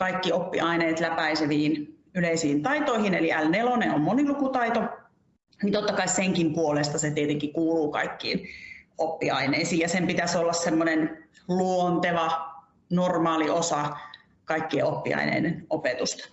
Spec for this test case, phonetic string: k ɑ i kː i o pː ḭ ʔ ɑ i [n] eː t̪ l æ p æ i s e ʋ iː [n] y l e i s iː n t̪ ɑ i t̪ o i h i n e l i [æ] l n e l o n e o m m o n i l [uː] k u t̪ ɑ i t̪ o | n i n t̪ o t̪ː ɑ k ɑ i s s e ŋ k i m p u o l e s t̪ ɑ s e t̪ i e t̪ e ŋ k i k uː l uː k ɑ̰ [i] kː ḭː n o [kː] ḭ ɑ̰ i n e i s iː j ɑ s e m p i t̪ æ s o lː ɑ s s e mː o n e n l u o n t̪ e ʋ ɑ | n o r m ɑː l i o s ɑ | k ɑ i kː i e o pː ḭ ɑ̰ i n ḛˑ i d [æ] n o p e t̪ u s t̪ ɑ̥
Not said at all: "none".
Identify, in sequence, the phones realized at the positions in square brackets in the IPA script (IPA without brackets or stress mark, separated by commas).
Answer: n, n, æ, u, i, pː, e